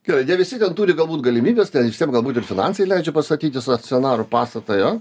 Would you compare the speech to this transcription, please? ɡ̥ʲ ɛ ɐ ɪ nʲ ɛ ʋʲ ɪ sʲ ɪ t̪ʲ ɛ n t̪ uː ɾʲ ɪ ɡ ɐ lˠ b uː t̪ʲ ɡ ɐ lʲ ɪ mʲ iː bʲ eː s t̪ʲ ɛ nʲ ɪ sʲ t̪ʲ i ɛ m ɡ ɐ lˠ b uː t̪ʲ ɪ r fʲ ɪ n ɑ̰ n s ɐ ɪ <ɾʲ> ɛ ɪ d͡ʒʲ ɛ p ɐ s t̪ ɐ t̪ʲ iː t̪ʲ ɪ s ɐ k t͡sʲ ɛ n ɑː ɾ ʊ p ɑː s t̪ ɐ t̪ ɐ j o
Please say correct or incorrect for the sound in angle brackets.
incorrect